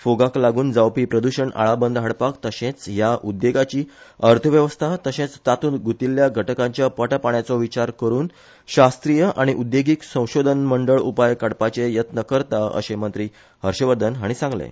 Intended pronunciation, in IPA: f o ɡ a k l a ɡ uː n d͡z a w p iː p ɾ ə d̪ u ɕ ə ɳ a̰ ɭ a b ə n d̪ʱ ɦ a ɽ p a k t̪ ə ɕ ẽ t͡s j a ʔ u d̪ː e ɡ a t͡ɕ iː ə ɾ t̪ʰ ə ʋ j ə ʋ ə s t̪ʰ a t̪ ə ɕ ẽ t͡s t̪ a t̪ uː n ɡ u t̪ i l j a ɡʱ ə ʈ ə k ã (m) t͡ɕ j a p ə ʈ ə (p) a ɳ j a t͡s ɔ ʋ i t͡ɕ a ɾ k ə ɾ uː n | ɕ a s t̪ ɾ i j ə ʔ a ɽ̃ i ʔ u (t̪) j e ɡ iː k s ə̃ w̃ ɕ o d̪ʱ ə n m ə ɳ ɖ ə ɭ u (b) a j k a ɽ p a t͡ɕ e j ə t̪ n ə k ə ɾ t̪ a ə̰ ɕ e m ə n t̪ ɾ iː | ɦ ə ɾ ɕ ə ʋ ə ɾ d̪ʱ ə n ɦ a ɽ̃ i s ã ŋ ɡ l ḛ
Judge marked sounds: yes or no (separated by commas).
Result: no, yes, no, no